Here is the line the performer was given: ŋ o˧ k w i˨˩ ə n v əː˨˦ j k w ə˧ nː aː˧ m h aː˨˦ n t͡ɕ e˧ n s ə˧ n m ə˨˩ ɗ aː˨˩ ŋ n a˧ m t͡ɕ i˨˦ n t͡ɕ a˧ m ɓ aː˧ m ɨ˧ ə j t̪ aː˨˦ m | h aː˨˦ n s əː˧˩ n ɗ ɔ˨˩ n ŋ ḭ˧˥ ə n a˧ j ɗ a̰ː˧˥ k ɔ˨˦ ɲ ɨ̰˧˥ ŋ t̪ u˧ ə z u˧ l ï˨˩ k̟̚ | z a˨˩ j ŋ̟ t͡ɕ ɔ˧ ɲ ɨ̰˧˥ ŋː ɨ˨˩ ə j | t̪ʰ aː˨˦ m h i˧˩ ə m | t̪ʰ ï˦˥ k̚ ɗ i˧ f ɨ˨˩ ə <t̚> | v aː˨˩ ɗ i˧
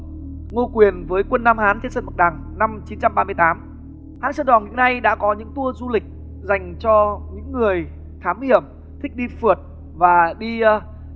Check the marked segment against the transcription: correct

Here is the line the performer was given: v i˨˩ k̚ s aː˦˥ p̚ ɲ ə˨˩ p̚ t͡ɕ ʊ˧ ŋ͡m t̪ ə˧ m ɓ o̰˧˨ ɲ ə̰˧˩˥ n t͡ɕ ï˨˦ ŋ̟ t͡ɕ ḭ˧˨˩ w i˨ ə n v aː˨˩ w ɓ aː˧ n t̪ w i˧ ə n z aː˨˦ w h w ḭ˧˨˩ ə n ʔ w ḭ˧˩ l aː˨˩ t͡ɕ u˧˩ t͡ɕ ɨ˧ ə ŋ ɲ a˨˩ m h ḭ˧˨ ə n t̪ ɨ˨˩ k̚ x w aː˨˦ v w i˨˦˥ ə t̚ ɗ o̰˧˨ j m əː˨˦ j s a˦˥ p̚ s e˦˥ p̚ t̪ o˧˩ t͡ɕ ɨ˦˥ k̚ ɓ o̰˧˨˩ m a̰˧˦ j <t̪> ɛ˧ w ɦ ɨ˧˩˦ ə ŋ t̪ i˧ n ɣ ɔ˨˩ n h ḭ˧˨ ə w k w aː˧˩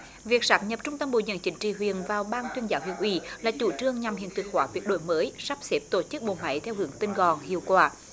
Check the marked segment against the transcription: incorrect: t̪ʰ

